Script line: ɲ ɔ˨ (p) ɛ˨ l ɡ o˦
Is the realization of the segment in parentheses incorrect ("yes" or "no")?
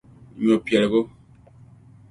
no